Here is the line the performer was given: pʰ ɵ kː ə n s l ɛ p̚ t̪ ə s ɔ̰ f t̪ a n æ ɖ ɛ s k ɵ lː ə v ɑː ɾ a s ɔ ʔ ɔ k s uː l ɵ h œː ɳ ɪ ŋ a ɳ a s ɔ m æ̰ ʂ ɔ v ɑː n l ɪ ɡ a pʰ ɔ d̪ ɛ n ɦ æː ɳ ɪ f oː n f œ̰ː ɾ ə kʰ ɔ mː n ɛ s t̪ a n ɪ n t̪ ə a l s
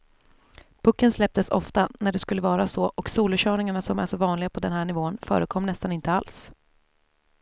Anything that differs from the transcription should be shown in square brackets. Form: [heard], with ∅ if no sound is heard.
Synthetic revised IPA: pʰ ɵ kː ə n s l ɛ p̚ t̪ ə s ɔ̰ f t̪ a n æ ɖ ɛ s k ɵ lː ə v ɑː ɾ a s ɔ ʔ ɔ k s uː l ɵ [ɕ] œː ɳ ɪ ŋ a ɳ a s ɔ m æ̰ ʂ ɔ v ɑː n l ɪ ɡ a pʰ ɔ d̪ ɛ n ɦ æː ɳ ɪ [v] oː n f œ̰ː ɾ ə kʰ ɔ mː n ɛ s t̪ a n ɪ n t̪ ə a l s